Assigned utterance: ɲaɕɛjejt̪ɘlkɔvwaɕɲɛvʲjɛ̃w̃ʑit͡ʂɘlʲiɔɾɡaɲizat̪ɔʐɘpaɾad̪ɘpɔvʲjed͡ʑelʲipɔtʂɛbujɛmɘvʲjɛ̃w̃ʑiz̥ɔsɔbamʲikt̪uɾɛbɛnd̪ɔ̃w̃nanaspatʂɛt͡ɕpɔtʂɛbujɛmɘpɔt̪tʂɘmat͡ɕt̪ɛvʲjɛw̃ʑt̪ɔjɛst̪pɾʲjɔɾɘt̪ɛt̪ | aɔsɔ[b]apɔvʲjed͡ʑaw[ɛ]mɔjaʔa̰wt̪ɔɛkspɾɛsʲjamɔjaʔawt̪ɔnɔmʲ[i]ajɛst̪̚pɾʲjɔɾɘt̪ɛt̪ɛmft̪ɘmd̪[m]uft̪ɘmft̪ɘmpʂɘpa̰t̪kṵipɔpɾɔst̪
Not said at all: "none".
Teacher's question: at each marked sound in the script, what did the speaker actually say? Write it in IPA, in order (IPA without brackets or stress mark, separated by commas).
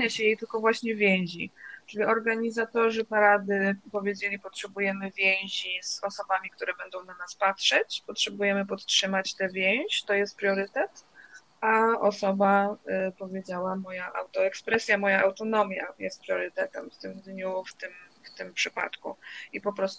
b, a, j, ɲ